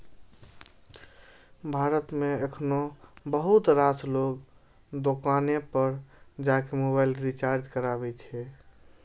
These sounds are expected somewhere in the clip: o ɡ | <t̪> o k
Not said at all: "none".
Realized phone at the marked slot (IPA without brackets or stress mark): d̪